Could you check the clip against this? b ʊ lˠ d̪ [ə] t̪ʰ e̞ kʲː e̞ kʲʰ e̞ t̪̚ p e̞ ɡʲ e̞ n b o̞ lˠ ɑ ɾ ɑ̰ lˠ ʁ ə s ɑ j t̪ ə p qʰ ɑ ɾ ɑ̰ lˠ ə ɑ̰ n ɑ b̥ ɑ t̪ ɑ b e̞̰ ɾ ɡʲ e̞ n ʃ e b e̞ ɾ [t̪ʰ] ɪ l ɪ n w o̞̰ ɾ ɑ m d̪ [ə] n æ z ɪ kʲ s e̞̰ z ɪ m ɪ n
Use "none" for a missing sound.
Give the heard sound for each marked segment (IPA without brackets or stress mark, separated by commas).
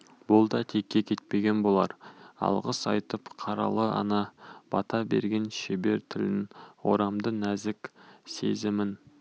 ɑ, t̪ʰ, ə